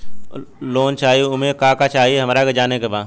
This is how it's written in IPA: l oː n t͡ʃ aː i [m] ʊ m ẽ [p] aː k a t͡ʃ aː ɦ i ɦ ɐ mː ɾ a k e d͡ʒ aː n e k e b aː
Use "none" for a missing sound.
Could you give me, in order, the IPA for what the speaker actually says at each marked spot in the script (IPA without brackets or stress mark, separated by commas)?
none, k